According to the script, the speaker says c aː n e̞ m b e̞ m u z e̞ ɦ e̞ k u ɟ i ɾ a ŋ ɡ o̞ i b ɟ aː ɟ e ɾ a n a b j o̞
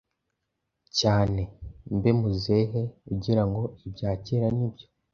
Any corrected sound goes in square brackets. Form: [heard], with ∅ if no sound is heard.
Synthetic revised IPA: c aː n e̞ m b e̞ m u z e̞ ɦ e̞ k u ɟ i ɾ a ŋ ɡ o̞ i b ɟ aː [c] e ɾ a n [i] b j o̞